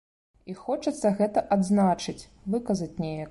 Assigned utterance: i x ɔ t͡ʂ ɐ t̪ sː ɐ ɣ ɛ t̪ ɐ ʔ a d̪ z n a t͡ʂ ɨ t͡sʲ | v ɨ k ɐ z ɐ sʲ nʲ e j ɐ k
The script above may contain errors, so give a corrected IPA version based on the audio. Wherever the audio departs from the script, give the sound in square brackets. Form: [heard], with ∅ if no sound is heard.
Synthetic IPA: i x ɔ t͡ʂ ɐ t̪ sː ɐ ɣ ɛ t̪ ɐ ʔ a d̪ z n a t͡ʂ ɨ t͡sʲ | v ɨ k ɐ z ɐ [t͡sʲ] nʲ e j ɐ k